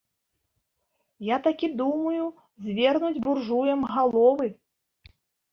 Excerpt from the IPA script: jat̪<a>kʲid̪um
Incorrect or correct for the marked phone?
correct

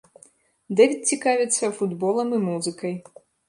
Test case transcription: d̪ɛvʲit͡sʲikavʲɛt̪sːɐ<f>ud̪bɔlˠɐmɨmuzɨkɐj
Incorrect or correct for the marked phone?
correct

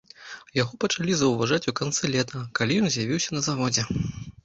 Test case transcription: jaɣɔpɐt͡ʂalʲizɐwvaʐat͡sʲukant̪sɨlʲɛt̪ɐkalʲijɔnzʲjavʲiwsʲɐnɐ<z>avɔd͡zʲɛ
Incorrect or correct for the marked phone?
correct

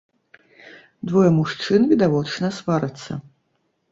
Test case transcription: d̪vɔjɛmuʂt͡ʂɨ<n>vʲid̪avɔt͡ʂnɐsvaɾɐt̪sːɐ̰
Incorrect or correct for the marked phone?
correct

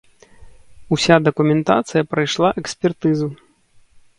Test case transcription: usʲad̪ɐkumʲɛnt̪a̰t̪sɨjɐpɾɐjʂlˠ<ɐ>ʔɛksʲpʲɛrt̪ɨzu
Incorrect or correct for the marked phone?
incorrect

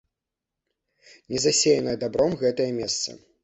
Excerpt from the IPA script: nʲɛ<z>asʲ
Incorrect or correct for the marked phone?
correct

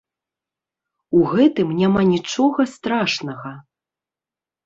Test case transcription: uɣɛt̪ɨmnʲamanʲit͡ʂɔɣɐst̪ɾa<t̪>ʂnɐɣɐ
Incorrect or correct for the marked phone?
incorrect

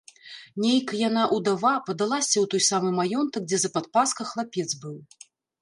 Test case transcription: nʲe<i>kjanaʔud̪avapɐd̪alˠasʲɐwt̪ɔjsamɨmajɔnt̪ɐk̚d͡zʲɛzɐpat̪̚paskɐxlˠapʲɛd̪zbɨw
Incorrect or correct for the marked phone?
incorrect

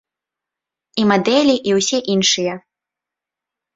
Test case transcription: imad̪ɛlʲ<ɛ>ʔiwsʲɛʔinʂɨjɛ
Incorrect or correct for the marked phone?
incorrect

